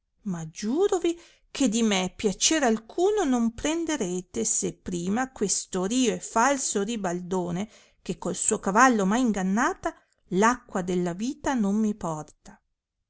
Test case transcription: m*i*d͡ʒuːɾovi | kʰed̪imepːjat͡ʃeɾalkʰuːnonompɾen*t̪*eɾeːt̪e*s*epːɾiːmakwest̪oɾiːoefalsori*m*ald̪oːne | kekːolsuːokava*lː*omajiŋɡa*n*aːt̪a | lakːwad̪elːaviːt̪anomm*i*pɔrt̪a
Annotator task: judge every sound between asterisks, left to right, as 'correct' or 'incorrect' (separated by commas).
incorrect, incorrect, correct, incorrect, correct, incorrect, correct